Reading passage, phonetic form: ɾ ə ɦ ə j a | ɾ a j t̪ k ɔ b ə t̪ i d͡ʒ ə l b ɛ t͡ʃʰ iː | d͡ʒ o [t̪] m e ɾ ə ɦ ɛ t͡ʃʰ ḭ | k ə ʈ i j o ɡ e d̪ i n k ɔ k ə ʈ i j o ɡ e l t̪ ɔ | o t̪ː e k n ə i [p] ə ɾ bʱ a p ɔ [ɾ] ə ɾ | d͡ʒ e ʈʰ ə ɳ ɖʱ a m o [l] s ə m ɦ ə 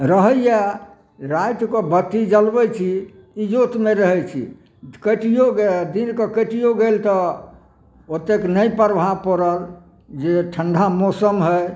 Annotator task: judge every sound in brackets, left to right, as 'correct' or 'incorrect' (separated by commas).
correct, correct, correct, incorrect